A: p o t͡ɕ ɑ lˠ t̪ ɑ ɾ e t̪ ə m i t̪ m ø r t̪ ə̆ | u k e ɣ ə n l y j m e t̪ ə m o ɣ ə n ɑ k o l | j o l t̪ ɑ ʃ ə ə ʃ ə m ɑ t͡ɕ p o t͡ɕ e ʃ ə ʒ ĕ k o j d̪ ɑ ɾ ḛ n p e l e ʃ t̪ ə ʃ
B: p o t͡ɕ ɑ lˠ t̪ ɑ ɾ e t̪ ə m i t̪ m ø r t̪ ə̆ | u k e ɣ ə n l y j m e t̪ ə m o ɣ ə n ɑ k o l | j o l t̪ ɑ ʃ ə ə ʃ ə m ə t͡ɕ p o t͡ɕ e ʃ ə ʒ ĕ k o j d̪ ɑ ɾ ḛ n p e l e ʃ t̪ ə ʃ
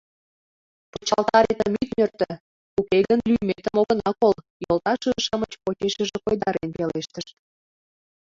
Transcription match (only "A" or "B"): B